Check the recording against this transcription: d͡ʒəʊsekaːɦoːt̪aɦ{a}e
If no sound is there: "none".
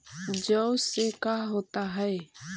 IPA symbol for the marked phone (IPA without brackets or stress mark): ɛ